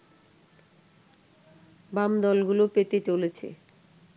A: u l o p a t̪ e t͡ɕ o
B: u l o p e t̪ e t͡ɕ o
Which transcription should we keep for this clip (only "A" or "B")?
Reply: B